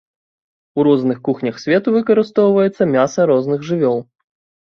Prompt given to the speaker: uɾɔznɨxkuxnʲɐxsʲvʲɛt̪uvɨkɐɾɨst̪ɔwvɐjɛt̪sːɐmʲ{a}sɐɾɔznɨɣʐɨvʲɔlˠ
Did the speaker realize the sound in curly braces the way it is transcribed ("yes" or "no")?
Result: yes